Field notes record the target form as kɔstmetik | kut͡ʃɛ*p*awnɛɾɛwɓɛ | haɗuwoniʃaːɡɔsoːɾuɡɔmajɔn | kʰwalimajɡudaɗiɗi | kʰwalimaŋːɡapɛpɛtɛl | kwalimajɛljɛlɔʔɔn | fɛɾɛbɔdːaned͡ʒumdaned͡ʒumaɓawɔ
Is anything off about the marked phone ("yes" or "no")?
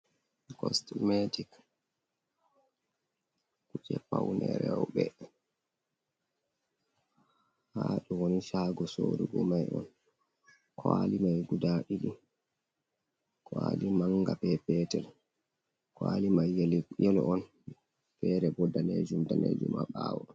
no